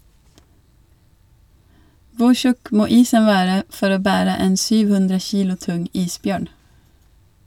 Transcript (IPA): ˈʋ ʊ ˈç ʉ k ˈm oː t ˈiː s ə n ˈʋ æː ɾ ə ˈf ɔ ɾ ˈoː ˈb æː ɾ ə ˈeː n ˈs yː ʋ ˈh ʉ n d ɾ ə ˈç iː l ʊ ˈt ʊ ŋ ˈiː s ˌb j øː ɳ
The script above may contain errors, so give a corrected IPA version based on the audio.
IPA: ˈʋ ʊ ˈç ʉ k ˈm oː ˈiː s ə n ˈʋ æː ɾ ə ˈf ɔ ɾ ˈoː ˈb æː ɾ ə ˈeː n ˈs yː ʋ ˈh ʉ n d ɾ ə ˈç iː l ʊ ˈt ʊ ŋ ˈiː s ˌb j øː ɳ

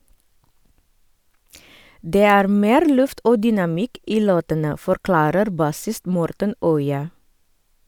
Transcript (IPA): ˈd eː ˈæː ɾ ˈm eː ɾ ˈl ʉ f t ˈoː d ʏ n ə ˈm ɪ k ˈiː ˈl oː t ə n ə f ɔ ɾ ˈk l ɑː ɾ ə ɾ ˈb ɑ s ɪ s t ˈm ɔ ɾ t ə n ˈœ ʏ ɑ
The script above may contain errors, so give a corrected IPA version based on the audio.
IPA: ˈd eː ˈæː ɾ ˈm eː ɾ ˈl ʉ f t ˈoː d ʏ n ɑ ˈm ɪ k ˈiː ˈl oː t ə n ə f ɔ ɾ ˈk l ɑː ɾ ə ɾ ˈb ɑ s ɪ s t ˈm ɔ ɾ t ə n ˈœ ʏ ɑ

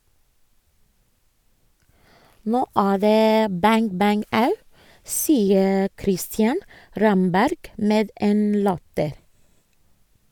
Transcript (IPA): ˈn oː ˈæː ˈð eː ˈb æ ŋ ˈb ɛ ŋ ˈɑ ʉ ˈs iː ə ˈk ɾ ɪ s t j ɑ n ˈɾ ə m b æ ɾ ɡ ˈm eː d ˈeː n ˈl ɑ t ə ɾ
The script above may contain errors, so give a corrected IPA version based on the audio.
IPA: ˈn oː ˈæː ˈð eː ˈb æ ŋ ˈb æ ŋ ˈɑ ʉ ˈs iː ə ˈk ɾ ɪ s t j ɑ n ˈɾ ɑ m b æ ɾ ɡ ˈm eː d ˈeː n ˈl ɑ t ə ɾ

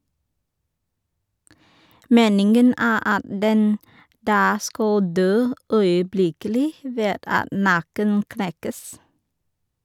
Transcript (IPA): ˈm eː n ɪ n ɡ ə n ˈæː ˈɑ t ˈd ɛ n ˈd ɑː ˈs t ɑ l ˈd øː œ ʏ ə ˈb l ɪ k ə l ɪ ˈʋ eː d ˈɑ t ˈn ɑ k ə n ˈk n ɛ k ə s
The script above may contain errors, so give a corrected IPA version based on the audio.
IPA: ˈm eː n ɪ ŋ ɡ ə n ˈæː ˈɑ t ˈd ɛ n ˈd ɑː ˈs k ɑ l ˈd øː œ ʏ ə ˈb l ɪ k ə l ɪ ˈʋ eː d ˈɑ t ˈn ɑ k ə n ˈk n ɛ k ə s

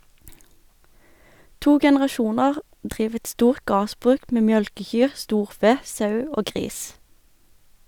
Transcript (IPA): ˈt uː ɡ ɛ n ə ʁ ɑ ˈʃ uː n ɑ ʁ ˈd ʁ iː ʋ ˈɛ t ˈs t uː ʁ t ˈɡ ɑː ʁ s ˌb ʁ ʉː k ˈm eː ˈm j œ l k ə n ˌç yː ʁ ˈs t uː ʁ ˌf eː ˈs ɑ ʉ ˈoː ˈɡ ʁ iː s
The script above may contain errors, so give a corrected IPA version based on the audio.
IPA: ˈt uː ɡ ɛ n ə ʁ ɑ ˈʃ uː n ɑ ʁ ˈd ʁ iː ʋ ˈɛ t ˈs t uː ʁ t ˈɡ ɑː ʁ s ˌb ʁ ʉː k ˈm eː ˈm j œ l k ə ˌç yː ʁ ˈs t uː ʁ ˌf eː ˈs ɑ ʉ ˈoː ˈɡ ʁ iː s

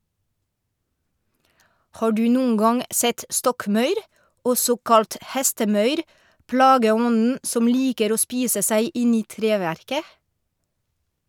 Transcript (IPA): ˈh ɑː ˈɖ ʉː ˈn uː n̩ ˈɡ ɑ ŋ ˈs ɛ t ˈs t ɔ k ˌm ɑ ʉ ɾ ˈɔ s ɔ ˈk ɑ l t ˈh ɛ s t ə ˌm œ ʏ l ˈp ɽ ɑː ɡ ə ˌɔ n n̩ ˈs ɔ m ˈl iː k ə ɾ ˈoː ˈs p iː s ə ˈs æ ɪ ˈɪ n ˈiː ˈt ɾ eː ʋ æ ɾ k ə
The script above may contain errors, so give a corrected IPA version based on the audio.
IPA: ˈh ɑː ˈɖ ʉː ˈn uː n̩ ˈɡ ɑ ŋ ˈs ɛ t ˈs t ɔ k ˌm ɑ ʉ ɾ ˈɔ s ɔ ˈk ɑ l t ˈh ɛ s t ə ˌm œ ʏ ɾ ˈp ɽ ɑː ɡ ə ˌɔ n n̩ ˈs ɔ m ˈl iː k ə ɾ ˈoː ˈs p iː s ə ˈs æ ɪ ˈɪ n ˈiː ˈt ɾ eː ʋ æ ɾ k ə

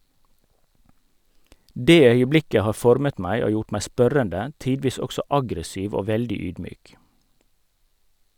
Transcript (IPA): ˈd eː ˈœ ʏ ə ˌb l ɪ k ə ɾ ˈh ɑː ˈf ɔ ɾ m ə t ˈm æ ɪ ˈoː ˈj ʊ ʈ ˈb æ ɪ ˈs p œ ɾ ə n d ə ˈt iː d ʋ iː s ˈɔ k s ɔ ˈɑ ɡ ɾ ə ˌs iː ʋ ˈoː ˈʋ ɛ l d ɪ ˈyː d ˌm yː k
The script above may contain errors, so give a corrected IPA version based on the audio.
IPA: ˈd eː ˈœ ʏ ə ˌb l ɪ k ə ˈh ɑː ˈf ɔ ɾ m ə t ˈm æ ɪ ˈoː ˈj ʊ ʈ ˈm æ ɪ ˈs p œ ɾ ə n d ə ˈt iː d ʋ iː s ˈɔ k s ɔ ˈɑ ɡ ɾ ə ˌs iː ʋ ˈoː ˈʋ ɛ l d ɪ ˈyː d ˌm yː k

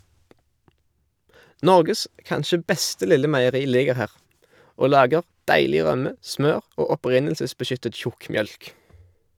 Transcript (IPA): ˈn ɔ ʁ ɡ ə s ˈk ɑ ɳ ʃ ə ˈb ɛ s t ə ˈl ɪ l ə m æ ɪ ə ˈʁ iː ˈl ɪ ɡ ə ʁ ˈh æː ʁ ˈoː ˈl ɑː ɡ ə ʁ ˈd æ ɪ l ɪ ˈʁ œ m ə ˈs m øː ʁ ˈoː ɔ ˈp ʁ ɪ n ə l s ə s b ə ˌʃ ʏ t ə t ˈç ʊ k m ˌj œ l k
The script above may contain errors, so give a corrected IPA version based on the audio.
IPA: ˈn ɔ ʁ ɡ ə s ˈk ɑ n ʃ ə ˈb ɛ s t ə ˈl ɪ l ə m æ ɪ ə ˈʁ iː ˈl ɪ ɡ ə ʁ ˈh æː ʁ ˈoː ˈl ɑː ɡ ə ʁ ˈd æ ɪ l ɪ ˈʁ œ m ə ˈs m øː ʁ ˈoː ɔ ˈp ʁ ɪ n ə l s ə s b ə ˌʃ ʏ t ə t ˈç ʊ k m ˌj œ l k

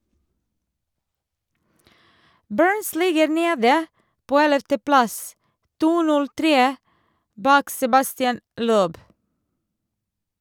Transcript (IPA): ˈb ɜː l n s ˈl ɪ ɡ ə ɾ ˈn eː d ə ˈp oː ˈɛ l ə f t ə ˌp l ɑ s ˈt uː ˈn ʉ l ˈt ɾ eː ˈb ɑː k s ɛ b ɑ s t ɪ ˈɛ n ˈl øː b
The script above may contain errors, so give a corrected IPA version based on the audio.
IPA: ˈb ɜː ɹ n s ˈl ɪ ɡ ə ɾ ˈn eː d ə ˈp oː ˈɛ l ə f t ə ˌp l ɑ s ˈt uː ˈn ʉ l ˈt ɾ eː ˈb ɑː k s ɛ b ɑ s t ɪ ˈɛ n ˈl øː b

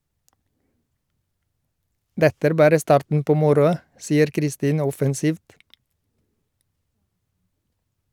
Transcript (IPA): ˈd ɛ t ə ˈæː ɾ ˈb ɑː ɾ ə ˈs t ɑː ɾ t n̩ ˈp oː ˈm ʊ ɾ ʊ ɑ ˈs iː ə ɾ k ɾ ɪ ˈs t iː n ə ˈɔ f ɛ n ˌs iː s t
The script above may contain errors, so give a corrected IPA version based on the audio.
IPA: ˈd ɛ t ə ˈæː ɾ ˈb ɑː ɾ ə ˈs t ɑː ɾ t n̩ ˈp oː ˈm ʊ ɾ ʊ ɑ ˈs iː ə ɾ k ɾ ɪ ˈs t iː n ə ˈɔ f ɛ n ˌs iː f t

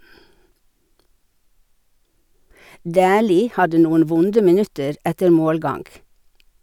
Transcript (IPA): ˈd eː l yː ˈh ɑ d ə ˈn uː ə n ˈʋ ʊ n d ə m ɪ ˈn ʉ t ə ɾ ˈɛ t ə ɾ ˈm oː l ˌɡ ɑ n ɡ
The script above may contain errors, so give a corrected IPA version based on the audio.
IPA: ˈd æː l iː ˈh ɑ d ə ˈn uː ə n ˈʋ ʊ n d ə m ɪ ˈn ʉ t ə ɾ ˈɛ t ə ɾ ˈm oː l ˌɡ ɑ ŋ ɡ

